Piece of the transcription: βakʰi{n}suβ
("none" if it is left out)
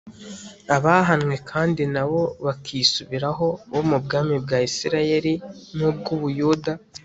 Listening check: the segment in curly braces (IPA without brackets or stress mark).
none